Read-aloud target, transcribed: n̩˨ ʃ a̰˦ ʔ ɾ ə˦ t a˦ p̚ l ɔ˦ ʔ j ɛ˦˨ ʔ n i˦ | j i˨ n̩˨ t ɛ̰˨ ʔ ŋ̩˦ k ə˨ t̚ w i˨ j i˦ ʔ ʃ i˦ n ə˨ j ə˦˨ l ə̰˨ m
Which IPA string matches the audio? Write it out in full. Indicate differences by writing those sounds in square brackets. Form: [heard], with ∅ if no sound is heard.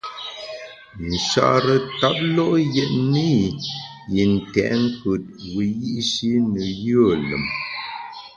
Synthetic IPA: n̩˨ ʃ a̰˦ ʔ ɾ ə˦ t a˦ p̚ l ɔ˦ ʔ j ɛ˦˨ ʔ n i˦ | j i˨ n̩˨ t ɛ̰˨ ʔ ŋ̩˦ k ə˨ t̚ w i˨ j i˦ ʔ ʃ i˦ n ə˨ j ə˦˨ l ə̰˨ m